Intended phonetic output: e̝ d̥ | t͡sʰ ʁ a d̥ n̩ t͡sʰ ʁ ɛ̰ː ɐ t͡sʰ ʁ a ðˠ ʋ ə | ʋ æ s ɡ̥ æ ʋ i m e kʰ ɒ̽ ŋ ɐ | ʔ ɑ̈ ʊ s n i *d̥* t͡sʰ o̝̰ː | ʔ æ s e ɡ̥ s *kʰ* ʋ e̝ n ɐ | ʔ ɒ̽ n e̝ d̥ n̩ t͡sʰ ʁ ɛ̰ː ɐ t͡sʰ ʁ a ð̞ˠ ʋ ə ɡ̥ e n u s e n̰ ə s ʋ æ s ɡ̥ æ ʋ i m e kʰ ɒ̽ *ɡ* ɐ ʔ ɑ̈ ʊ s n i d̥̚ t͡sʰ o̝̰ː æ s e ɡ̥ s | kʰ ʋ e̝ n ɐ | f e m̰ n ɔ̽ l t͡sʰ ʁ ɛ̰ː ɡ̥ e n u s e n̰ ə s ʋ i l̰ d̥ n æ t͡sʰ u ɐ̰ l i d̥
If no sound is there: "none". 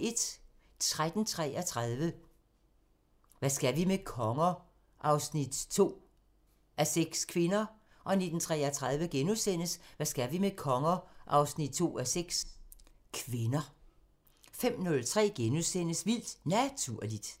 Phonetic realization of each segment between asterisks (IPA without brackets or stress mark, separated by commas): d̥, kʰ, ŋ